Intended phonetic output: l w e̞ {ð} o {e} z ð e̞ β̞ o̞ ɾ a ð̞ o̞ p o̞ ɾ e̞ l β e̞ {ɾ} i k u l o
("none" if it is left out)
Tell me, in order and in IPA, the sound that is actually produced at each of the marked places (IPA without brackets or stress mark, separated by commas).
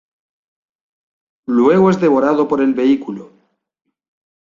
ɣ, e, none